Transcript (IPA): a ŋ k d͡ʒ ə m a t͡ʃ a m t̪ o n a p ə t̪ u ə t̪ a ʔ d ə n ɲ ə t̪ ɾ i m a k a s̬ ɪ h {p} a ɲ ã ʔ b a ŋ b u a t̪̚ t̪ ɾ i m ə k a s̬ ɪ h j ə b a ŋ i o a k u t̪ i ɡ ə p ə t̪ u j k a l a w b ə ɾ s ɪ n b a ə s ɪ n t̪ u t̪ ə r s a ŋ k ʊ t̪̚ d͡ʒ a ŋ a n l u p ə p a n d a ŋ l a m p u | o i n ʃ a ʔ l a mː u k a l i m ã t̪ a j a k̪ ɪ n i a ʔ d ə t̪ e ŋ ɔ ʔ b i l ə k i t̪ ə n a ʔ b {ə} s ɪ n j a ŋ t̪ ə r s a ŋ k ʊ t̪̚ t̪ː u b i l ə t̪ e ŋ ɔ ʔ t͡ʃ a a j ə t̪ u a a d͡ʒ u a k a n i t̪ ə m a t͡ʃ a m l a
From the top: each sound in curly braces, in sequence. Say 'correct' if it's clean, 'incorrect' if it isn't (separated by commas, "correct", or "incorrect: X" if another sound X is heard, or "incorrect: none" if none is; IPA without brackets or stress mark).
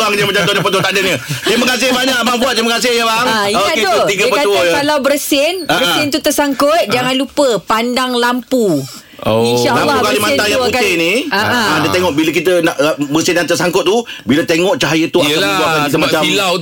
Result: incorrect: b, correct